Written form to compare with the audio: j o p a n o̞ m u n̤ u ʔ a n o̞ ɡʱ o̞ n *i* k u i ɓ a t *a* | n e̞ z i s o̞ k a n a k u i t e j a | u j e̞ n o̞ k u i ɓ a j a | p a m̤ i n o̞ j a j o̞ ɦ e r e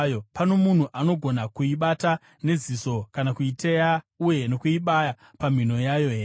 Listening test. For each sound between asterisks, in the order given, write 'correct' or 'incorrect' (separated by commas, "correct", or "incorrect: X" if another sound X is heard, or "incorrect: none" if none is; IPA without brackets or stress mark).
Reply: incorrect: a, correct